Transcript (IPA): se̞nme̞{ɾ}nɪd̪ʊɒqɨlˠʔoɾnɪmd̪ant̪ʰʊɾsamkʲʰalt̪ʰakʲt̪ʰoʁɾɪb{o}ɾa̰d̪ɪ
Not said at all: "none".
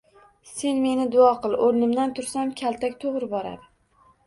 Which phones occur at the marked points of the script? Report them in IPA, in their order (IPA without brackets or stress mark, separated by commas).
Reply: none, ɒ